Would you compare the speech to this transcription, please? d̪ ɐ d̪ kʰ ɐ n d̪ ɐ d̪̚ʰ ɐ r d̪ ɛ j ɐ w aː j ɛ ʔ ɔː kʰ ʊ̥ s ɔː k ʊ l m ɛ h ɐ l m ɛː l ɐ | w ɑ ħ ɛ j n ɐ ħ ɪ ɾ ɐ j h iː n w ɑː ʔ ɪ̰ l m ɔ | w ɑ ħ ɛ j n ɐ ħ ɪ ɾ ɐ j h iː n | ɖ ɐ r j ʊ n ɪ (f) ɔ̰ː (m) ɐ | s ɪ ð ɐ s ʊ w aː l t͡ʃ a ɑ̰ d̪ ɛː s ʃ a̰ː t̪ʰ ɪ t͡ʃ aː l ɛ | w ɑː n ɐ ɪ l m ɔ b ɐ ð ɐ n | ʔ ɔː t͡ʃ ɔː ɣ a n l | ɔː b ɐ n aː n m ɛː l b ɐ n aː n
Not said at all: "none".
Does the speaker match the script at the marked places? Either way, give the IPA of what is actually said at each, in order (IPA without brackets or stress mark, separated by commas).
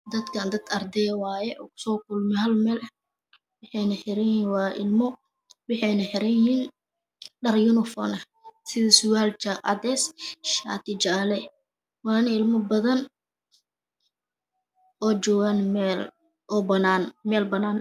f, n